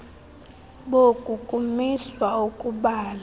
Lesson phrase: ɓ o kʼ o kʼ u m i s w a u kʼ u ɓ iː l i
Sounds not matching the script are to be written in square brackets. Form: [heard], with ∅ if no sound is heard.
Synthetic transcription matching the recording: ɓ o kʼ [u] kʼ u m i s w a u kʼ u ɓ [aː] l [a]